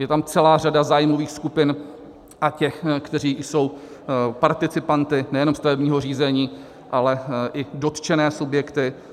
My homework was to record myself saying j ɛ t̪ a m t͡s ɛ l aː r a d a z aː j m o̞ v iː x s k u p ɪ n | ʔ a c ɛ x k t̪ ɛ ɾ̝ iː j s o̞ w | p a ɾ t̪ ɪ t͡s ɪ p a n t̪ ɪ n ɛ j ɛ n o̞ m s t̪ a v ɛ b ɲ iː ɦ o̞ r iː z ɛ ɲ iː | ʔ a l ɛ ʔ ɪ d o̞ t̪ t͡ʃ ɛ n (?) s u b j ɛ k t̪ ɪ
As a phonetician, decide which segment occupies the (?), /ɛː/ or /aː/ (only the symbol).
ɛː